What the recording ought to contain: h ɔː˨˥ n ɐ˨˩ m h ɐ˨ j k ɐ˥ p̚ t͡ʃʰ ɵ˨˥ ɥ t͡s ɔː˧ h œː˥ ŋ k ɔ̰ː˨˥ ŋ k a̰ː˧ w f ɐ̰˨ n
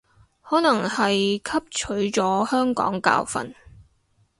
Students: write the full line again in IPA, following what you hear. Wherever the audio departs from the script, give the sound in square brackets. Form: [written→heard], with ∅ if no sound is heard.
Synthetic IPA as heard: h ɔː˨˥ n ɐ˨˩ [m→ŋ] h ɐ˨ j [k→kʰ] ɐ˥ p̚ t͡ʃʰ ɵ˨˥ ɥ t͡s [ɔː˧→ɔː˨˥] h œː˥ ŋ k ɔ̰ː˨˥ ŋ k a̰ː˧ w f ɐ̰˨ n